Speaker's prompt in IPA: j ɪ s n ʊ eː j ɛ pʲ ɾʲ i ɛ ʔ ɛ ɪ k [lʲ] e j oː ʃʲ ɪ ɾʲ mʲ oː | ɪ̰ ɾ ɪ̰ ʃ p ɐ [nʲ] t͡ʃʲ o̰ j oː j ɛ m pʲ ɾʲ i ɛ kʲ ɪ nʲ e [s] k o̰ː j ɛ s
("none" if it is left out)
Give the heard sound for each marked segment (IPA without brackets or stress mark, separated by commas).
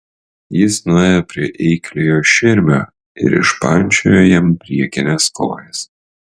lʲ, nʲ, s